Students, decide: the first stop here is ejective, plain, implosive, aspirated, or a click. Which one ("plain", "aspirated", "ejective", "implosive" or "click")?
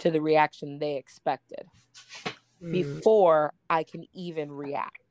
aspirated